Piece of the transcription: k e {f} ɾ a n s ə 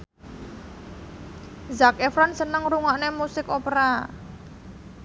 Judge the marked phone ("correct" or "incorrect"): correct